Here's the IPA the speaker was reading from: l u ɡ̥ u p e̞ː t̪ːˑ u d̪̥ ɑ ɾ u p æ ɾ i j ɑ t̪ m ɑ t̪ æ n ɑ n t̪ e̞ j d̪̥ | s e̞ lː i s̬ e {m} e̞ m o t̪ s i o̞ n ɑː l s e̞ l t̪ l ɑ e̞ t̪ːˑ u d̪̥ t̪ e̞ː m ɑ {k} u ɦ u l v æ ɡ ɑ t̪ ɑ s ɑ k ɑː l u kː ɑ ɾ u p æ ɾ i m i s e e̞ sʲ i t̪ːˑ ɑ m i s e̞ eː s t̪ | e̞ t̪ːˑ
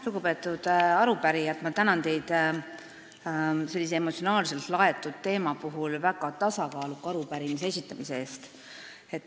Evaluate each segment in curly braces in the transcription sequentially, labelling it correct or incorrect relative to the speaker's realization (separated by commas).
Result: incorrect, incorrect